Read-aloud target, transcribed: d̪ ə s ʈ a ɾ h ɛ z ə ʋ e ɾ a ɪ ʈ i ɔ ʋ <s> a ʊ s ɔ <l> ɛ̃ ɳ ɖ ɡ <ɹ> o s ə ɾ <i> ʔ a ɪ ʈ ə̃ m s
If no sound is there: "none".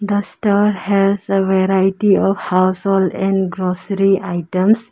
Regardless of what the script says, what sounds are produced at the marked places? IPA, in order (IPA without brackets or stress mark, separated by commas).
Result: h, l, ɾ, i